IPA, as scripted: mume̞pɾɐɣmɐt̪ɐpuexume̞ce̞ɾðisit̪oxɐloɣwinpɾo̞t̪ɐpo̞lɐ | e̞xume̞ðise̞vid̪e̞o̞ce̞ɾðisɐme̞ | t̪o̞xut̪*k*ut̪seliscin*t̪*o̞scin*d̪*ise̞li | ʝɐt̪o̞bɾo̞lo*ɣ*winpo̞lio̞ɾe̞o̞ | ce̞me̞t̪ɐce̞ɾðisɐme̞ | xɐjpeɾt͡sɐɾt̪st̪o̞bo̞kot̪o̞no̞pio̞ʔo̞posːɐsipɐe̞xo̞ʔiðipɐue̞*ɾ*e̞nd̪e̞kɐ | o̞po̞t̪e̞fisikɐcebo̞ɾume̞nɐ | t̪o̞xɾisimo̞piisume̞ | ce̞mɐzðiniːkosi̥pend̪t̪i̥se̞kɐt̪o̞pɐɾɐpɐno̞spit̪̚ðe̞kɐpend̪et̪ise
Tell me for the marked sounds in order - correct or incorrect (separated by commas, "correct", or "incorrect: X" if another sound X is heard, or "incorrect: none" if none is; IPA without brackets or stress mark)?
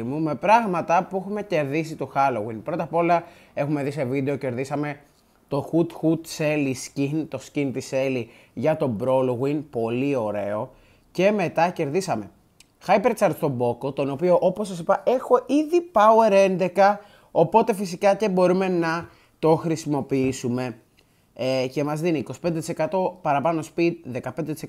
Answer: incorrect: x, correct, incorrect: t̪, correct, correct